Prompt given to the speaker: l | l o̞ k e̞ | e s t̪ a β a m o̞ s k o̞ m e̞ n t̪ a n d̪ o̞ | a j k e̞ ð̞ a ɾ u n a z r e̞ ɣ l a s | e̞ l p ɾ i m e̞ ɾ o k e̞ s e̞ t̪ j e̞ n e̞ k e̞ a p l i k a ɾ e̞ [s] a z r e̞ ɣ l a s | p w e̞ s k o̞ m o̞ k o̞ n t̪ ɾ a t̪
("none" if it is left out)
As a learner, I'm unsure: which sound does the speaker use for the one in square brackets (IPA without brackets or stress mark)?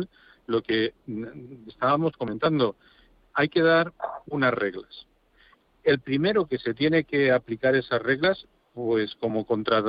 s